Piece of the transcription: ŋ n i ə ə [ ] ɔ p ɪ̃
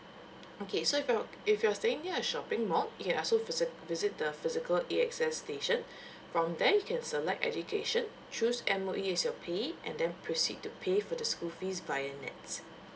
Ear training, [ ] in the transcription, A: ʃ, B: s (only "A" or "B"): A